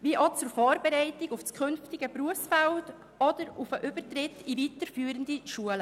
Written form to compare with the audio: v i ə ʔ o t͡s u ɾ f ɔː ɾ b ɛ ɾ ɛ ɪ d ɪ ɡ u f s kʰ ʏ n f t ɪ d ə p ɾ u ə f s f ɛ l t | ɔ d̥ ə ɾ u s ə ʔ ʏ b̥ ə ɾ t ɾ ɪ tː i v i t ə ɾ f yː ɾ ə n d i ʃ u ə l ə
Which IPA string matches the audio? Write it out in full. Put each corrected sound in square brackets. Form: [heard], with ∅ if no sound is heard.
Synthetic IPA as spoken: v i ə ʔ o t͡s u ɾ f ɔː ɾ b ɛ ɾ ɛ ɪ [t] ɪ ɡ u f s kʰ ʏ n f t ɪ [ɡ] ə p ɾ u ə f s f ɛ l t | ɔ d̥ ə ɾ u [f] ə ʔ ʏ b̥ ə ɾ t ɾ ɪ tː i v i t ə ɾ f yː ɾ ə n d i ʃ u ə l ə